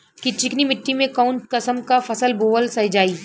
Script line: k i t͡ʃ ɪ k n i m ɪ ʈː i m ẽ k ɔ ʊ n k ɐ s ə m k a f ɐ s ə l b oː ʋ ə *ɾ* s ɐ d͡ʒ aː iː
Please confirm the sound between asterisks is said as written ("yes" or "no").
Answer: no